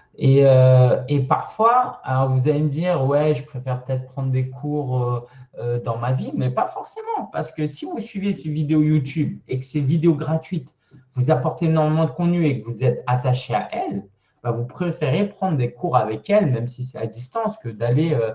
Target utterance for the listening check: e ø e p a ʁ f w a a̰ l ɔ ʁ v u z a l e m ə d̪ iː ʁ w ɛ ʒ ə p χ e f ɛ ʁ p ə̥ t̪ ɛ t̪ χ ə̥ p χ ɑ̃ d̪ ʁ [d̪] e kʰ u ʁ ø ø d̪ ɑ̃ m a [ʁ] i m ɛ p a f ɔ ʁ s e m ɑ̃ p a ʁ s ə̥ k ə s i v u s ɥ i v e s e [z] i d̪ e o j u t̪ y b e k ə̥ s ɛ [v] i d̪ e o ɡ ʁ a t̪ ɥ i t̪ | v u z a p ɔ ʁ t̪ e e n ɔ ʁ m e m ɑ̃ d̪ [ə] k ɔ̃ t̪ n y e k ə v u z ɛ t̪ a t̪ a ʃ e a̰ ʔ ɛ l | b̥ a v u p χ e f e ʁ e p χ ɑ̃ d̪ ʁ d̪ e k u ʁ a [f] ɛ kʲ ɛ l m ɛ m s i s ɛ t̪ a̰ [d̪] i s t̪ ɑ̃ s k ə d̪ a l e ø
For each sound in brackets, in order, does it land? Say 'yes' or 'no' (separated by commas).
yes, no, no, yes, yes, no, yes